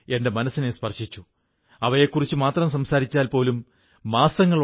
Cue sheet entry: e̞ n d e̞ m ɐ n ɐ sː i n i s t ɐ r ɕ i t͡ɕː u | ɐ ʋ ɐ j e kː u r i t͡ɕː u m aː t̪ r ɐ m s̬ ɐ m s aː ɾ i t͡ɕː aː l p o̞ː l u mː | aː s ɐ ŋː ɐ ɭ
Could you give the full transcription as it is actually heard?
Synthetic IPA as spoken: e̞ n d e̞ m ɐ n ɐ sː i n e s p ɐ r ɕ i t͡ɕː u | ɐ ʋ ɐ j e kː u r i t͡ɕː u m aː t̪ r ɐ m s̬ ɐ m s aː ɾ i t͡ɕː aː l p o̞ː l u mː | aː s ɐ ŋː ɐ ɭ